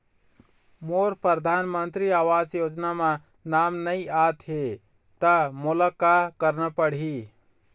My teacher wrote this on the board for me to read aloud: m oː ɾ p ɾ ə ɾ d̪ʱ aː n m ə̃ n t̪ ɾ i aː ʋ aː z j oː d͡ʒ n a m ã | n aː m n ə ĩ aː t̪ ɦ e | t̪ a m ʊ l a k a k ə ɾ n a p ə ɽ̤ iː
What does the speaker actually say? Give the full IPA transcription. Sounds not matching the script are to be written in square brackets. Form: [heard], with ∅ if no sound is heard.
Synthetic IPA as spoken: m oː ɾ p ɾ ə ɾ d̪ʱ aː n m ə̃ n t̪ ɾ i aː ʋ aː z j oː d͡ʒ n a m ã | n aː m n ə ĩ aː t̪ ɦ e | t̪ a m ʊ l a k a k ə ɾ n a p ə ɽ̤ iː

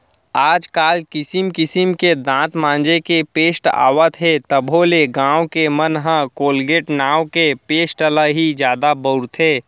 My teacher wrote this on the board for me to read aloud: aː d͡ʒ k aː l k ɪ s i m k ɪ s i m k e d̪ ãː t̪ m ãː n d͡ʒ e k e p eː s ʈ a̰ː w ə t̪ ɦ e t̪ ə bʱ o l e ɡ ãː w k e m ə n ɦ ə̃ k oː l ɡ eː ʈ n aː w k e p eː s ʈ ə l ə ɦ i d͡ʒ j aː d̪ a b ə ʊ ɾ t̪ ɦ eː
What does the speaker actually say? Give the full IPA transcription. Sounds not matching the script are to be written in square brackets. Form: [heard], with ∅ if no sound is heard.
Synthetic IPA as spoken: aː d͡ʒ k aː l k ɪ s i m k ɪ s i m k e d̪ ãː t̪ m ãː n d͡ʒ e k e p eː s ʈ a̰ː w ə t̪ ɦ e t̪ ə bʱ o l e ɡ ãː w k e m ə n ɦ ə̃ k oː l ɡ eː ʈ n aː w k e p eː s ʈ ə l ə ɦ i d͡ʒ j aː d̪ a b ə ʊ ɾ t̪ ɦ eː

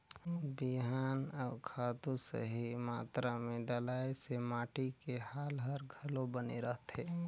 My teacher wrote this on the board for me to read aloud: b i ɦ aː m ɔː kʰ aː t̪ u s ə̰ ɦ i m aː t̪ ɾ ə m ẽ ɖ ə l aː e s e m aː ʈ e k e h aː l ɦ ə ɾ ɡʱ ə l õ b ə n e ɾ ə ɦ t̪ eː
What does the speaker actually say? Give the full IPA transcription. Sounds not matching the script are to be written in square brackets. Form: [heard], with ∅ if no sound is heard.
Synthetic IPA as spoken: b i ɦ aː [n] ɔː kʰ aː t̪ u s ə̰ ɦ i m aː t̪ ɾ [a] m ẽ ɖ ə l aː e s e m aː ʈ [i] k e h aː l ɦ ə ɾ ɡʱ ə l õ b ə n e ɾ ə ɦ t̪ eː

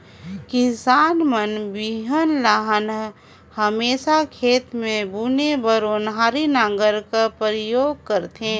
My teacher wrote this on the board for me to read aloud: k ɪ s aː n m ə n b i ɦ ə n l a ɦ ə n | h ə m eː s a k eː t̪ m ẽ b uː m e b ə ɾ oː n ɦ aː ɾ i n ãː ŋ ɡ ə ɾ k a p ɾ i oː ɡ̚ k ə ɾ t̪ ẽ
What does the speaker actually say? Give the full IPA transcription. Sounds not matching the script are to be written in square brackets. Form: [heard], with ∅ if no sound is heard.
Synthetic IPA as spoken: k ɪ s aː n m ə n b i ɦ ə n l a ɦ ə n | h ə m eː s a [kʰ] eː t̪ m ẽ b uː [n] e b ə ɾ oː n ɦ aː ɾ i n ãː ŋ ɡ ə ɾ k a p ɾ [j] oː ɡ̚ k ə ɾ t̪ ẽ

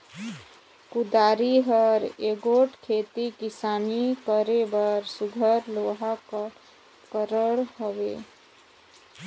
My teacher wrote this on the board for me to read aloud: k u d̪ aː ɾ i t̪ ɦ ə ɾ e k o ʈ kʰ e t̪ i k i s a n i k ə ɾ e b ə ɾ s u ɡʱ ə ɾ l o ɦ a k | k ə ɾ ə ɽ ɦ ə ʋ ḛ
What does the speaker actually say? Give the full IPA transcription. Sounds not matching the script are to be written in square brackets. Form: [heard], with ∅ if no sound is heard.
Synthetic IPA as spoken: k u d̪ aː ɾ i [∅] ɦ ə ɾ e [ɡ] o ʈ kʰ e t̪ i k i s a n i k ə ɾ e b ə ɾ s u ɡʱ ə ɾ l o ɦ a k | k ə ɾ ə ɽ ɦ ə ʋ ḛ

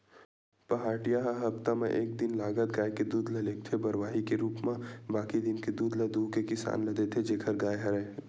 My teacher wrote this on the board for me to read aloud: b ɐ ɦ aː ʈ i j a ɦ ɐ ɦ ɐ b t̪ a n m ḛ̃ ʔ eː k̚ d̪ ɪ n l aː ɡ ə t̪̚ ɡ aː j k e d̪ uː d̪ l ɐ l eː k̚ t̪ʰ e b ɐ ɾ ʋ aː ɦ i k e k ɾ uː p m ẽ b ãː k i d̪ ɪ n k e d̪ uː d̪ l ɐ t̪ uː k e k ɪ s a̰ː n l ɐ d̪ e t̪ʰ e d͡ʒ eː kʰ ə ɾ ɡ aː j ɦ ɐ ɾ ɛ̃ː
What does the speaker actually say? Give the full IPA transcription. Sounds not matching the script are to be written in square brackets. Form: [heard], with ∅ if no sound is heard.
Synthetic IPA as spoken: [p] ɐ ɦ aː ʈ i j a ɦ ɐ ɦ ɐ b t̪ a [∅] m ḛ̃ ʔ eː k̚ d̪ ɪ n l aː ɡ ə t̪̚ ɡ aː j k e d̪ uː d̪ l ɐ l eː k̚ t̪ʰ e b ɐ ɾ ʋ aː ɦ i k e [∅] ɾ uː p m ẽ b [aː] k i d̪ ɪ n k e d̪ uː d̪ l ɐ [d̪] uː k e k ɪ s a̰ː n l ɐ d̪ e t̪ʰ e d͡ʒ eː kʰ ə ɾ ɡ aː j ɦ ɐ ɾ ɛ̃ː

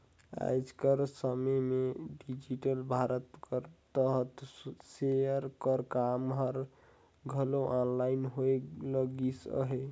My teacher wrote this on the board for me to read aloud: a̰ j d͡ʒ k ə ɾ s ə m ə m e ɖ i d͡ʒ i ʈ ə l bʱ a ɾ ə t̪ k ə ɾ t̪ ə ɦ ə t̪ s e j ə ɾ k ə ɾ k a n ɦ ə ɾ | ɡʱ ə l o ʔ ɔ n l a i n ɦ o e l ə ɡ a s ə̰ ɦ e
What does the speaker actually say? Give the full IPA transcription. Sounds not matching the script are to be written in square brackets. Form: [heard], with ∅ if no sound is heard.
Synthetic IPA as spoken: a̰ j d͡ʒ k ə ɾ s ə m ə m e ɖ i d͡ʒ i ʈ ə l bʱ a ɾ ə t̪ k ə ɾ t̪ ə ɦ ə t̪ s e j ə ɾ k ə ɾ k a [m] ɦ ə ɾ | ɡʱ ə l o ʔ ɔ n l a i n ɦ o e l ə ɡ [i] s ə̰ ɦ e

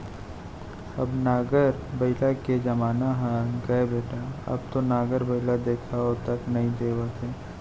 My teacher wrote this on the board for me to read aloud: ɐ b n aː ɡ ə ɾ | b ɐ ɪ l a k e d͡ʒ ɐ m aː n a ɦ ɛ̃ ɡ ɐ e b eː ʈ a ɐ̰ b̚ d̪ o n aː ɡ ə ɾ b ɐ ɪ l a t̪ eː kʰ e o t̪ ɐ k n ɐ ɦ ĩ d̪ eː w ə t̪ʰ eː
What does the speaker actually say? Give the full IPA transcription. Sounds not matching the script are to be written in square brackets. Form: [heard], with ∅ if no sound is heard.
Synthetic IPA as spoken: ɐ b n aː ɡ ə ɾ | b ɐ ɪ l a k e d͡ʒ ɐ m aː n a ɦ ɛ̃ ɡ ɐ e b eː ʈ a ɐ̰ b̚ [t̪] o n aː ɡ ə ɾ b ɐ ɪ l a [d̪] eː kʰ [a] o t̪ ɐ k n ɐ ɦ ĩ d̪ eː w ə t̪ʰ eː

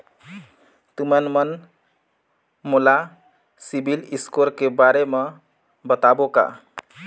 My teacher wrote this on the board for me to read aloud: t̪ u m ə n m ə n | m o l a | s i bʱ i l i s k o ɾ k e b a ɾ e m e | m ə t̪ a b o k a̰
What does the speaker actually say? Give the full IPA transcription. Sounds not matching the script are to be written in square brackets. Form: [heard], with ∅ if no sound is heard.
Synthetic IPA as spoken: t̪ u m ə n m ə n | m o l a | s i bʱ i l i s k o ɾ k e b a ɾ e m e | [b] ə t̪ a b o k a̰

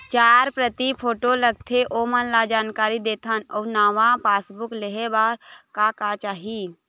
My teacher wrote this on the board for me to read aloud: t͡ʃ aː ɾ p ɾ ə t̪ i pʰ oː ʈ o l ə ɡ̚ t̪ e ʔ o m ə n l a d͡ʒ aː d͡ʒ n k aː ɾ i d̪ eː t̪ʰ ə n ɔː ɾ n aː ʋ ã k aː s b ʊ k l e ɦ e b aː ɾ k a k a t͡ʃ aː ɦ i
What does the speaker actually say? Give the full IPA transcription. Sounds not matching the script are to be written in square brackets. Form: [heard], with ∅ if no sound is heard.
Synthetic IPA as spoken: t͡ʃ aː ɾ p ɾ ə t̪ i pʰ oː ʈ o l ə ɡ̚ [t̪ʰ] e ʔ o m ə n l a d͡ʒ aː [∅] n k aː ɾ i d̪ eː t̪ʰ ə n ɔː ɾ n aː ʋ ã [p] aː s b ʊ k l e ɦ e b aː ɾ k a k a t͡ʃ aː ɦ i

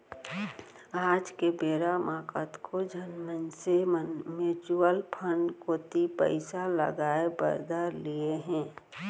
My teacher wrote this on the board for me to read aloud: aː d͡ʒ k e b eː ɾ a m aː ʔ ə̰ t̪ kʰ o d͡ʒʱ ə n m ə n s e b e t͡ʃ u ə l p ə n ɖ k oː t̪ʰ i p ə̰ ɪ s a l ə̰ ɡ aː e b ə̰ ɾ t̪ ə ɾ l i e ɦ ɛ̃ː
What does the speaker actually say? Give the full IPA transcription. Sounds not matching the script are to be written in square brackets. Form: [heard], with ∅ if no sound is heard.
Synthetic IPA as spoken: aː d͡ʒ k e b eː ɾ a m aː [k] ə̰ t̪ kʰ o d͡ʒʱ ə n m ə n s e [m] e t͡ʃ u ə l [pʰ] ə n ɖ k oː [t̪] i p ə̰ ɪ s a l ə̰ ɡ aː e b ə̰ ɾ [d̪] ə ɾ l i e ɦ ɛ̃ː

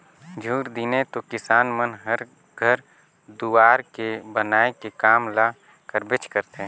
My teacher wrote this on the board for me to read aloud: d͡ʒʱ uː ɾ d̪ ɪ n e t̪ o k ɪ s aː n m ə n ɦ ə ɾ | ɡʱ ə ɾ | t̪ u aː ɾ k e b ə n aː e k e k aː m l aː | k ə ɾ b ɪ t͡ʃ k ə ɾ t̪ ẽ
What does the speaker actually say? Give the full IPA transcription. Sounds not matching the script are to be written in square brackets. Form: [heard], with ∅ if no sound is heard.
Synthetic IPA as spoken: d͡ʒʱ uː ɾ d̪ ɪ n e t̪ o k ɪ s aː n m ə n ɦ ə ɾ | ɡʱ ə ɾ | [d̪] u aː ɾ k e b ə n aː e k e k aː m l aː | k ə ɾ b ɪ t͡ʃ k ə ɾ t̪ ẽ

